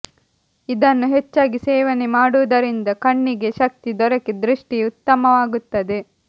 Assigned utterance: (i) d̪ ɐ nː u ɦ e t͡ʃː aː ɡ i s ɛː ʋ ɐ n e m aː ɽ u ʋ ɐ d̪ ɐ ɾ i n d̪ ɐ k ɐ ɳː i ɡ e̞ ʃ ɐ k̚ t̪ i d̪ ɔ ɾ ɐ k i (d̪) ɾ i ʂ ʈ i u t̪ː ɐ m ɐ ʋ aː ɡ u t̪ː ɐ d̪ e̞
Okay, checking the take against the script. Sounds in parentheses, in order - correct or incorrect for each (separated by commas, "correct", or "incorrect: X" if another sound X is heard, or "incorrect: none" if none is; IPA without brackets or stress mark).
correct, correct